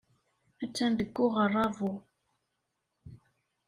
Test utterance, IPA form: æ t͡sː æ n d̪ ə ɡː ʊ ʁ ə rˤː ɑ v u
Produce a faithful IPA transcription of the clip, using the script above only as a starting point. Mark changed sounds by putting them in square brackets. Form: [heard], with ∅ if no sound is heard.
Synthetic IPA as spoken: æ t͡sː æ n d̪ ə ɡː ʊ ʁ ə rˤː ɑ v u